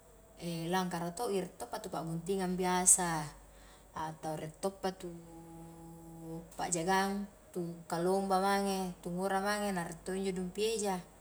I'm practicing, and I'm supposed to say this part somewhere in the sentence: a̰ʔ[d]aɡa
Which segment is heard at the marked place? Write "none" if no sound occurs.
d͡ʒ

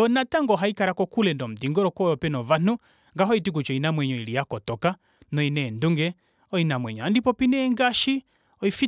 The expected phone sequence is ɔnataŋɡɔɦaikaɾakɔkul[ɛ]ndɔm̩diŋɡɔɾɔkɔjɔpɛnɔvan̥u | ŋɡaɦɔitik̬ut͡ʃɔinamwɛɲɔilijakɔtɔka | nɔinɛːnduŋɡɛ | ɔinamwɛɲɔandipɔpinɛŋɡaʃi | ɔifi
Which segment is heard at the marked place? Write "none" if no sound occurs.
ɛ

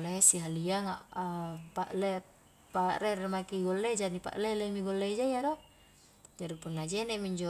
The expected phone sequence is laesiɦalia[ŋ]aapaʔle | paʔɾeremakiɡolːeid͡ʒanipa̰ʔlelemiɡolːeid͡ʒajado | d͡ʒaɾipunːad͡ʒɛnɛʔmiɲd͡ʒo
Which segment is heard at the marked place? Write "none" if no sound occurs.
ŋ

